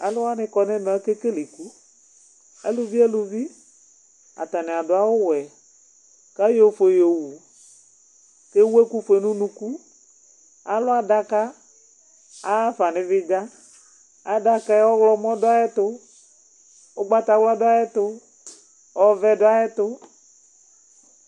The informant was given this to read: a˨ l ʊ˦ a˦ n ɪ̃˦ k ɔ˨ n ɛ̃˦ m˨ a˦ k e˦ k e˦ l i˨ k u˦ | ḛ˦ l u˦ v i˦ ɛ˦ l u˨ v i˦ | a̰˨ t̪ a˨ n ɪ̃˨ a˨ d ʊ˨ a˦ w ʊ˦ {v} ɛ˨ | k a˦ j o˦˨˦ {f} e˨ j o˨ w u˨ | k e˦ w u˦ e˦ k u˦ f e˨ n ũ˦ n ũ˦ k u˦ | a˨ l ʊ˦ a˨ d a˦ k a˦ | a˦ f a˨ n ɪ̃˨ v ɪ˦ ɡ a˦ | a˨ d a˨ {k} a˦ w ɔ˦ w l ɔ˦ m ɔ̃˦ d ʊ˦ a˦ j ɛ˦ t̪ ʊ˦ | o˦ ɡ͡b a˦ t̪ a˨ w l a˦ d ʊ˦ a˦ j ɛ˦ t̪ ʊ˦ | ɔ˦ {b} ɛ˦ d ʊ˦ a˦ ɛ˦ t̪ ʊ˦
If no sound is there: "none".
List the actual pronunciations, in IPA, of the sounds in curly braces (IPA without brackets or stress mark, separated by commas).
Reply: w, f, k, v